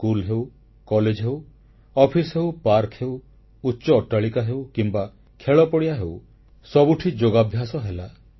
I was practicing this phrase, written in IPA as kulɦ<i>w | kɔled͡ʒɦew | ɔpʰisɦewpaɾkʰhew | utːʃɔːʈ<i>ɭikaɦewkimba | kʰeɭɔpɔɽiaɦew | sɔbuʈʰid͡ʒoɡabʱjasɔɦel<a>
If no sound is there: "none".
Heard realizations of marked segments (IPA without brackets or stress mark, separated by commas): e, a, a